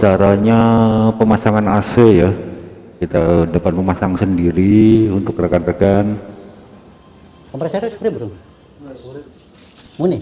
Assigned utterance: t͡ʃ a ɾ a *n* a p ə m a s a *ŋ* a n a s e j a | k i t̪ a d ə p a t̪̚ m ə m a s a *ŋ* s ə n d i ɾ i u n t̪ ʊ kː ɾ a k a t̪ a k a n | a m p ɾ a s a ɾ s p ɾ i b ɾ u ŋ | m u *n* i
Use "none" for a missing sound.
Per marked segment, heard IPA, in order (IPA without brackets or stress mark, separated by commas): ɲ, ŋ, ŋ, n